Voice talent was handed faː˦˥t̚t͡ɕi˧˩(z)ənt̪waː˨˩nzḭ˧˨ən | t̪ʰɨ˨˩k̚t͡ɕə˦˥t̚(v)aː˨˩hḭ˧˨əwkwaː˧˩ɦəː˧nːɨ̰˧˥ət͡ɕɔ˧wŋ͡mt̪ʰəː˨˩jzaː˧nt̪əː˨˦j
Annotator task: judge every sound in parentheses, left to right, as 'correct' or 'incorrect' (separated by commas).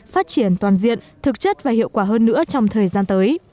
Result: incorrect, correct